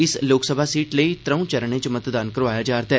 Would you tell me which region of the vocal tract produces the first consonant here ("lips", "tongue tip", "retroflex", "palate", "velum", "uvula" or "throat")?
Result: tongue tip